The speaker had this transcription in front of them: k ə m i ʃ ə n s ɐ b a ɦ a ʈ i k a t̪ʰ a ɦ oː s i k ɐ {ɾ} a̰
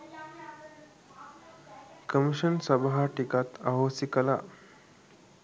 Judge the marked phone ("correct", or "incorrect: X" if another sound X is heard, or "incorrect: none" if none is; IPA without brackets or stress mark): incorrect: l